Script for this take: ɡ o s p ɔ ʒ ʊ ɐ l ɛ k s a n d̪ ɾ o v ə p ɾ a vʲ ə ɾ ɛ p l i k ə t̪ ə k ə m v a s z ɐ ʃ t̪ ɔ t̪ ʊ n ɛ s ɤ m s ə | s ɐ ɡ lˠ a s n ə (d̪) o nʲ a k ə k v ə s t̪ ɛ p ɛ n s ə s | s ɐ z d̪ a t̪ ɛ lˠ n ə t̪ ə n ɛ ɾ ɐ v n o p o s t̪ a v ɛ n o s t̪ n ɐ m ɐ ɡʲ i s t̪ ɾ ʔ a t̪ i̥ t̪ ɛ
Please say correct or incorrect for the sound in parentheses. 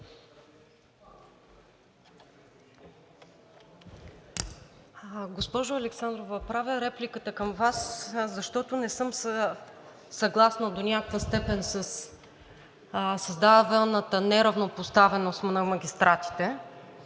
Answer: correct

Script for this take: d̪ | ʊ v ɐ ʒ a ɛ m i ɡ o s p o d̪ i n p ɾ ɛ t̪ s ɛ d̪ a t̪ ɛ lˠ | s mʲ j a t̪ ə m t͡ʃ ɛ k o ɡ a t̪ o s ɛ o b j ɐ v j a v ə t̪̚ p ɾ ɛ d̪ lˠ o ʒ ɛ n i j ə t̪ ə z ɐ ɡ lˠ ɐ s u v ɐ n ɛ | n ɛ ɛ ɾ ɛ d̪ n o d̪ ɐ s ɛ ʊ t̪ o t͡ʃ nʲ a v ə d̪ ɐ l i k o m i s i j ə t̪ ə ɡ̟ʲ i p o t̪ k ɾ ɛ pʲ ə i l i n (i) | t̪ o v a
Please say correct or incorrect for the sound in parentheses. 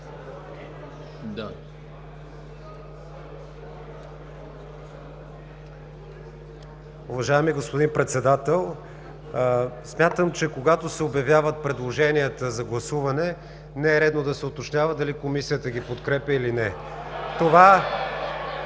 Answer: incorrect: ɛ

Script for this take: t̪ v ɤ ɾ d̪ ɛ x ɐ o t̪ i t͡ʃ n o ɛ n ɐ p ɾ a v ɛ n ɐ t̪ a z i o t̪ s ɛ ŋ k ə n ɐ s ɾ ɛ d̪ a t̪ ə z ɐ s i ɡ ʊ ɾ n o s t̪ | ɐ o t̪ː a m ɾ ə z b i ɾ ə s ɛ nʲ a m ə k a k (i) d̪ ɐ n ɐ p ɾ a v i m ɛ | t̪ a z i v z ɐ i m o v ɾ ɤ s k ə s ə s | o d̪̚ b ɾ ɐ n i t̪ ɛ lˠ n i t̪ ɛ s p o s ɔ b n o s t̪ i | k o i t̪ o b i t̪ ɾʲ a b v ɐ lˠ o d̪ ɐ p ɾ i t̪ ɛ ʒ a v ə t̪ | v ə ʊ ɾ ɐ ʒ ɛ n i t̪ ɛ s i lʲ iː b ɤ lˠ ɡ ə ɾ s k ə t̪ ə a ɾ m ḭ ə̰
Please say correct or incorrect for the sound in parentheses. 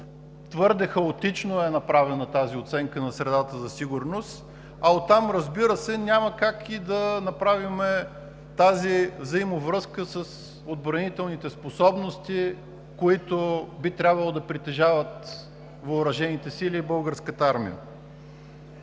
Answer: correct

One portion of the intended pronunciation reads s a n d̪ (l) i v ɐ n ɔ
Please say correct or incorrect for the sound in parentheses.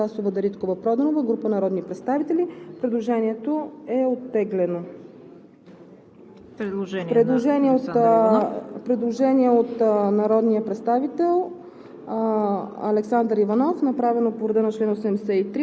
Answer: incorrect: ɾ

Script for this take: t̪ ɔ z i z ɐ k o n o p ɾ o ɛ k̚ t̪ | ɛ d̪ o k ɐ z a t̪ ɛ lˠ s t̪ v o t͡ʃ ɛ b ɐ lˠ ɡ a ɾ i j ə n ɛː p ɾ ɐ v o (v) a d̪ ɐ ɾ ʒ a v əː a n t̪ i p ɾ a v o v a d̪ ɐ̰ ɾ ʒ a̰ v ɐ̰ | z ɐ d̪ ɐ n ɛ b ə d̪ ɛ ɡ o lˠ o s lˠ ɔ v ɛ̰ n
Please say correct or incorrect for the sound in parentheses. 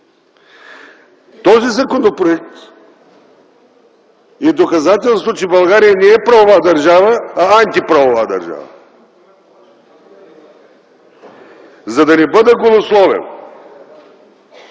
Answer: correct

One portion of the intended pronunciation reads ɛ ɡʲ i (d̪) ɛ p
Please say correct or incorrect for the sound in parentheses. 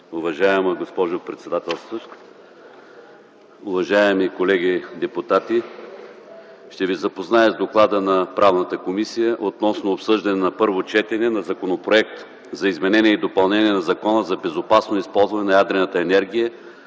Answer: correct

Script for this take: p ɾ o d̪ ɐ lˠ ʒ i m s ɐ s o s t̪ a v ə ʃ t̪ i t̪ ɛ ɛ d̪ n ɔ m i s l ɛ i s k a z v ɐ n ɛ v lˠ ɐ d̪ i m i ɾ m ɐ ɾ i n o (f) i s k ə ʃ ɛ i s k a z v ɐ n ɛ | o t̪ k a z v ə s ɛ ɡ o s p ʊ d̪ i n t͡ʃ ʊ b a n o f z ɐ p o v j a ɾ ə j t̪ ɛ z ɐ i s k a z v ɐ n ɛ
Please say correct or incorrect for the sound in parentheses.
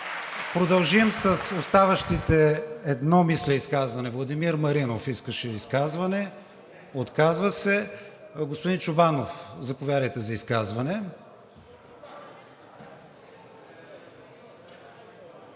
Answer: correct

